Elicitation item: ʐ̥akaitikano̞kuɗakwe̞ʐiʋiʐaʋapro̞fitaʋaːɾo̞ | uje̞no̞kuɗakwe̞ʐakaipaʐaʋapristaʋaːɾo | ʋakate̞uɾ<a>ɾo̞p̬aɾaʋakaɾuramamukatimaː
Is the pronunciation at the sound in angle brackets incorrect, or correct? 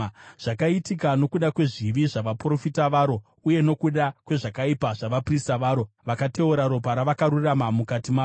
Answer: correct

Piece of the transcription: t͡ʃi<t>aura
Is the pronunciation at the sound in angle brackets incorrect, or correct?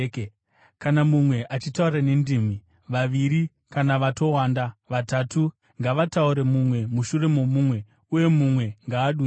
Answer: correct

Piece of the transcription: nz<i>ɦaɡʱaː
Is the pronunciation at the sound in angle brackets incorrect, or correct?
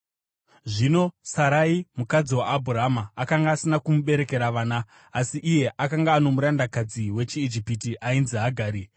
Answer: correct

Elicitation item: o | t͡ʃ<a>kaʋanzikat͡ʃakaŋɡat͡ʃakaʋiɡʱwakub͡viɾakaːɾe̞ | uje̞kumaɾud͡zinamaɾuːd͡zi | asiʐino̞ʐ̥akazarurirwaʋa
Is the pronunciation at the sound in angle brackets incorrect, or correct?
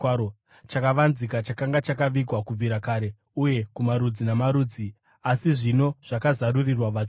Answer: correct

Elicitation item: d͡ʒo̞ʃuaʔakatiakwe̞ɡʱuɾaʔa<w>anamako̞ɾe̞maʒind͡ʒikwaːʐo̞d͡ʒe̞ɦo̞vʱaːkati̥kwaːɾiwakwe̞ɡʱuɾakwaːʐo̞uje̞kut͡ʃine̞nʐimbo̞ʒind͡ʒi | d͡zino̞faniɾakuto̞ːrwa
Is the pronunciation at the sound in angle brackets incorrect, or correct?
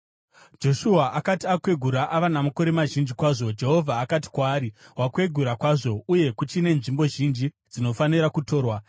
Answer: incorrect: ʋ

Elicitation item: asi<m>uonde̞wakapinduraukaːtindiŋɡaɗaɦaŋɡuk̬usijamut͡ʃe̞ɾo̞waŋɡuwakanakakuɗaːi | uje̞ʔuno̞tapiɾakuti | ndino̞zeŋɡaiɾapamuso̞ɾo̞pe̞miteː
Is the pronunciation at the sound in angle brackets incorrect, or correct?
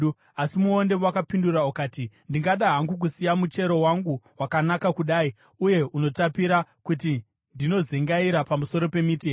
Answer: correct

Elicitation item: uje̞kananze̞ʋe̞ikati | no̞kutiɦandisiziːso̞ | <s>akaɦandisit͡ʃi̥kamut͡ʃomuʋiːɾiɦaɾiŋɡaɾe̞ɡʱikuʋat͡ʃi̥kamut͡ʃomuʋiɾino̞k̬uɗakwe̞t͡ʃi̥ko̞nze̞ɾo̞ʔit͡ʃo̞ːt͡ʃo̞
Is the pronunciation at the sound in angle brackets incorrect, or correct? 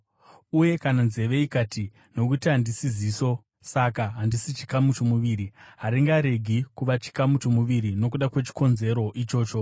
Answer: correct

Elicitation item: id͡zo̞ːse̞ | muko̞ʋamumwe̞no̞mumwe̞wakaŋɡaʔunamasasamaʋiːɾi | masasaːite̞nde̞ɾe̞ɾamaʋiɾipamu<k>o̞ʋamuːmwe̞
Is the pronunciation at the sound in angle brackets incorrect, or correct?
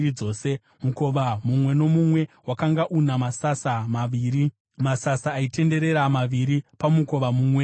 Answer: correct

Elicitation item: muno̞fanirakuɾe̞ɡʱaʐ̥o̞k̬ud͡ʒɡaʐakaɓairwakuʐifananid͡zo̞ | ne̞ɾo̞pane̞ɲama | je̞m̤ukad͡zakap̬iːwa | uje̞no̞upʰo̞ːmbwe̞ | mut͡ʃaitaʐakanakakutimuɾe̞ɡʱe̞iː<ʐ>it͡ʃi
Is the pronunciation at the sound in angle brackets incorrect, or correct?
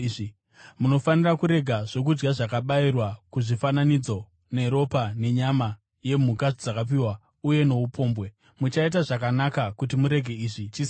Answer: correct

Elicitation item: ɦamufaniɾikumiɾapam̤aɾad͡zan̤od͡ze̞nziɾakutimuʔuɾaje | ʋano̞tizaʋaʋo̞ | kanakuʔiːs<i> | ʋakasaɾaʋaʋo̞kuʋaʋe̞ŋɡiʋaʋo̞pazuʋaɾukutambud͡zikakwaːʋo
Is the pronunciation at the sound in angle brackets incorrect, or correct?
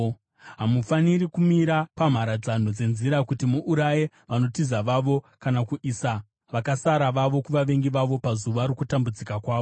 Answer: incorrect: a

